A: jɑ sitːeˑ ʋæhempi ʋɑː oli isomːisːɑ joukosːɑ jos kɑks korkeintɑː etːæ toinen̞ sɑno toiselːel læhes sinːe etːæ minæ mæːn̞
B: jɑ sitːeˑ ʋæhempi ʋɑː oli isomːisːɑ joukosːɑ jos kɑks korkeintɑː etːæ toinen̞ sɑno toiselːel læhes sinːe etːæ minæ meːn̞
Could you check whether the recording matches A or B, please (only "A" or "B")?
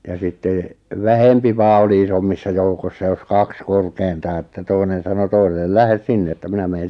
B